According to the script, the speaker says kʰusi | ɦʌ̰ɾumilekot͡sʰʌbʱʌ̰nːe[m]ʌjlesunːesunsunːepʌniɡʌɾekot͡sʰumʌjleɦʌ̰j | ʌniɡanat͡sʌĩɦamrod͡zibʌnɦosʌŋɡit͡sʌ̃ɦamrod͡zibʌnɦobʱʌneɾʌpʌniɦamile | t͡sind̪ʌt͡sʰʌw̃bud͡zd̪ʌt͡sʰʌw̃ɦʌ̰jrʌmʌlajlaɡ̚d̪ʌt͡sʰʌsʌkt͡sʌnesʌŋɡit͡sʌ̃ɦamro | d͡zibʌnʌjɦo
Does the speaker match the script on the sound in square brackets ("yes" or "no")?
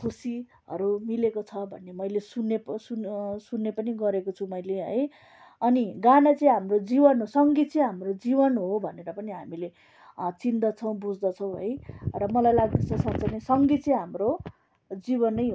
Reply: yes